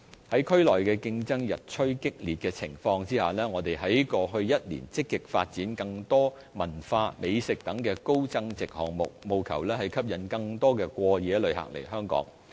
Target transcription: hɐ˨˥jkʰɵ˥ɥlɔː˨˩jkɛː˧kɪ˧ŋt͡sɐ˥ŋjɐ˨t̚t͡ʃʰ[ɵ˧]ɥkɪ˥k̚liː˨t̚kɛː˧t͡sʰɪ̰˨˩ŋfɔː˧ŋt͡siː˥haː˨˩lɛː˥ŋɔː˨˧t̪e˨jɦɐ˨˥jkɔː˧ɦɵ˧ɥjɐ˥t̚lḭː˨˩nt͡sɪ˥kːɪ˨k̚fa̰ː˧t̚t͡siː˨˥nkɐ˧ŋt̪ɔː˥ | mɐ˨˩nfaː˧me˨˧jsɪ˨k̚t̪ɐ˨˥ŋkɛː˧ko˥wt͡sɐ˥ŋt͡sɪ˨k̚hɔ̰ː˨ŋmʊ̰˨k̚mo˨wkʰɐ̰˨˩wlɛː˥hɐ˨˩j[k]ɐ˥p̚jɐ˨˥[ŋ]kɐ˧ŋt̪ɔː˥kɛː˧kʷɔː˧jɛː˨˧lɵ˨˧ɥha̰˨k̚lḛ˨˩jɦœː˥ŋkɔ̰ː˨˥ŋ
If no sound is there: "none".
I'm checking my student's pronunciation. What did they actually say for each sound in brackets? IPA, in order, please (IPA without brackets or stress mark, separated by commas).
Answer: ɵ˥, kʰ, n